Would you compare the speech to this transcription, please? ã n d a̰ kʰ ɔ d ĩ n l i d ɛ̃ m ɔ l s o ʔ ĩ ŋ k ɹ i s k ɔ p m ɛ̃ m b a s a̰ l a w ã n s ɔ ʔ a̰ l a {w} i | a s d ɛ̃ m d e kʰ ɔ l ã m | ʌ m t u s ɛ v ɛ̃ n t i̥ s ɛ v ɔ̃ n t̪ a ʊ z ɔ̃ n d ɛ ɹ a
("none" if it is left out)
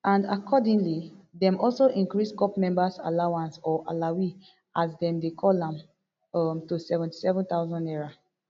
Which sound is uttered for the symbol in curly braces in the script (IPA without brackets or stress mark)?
w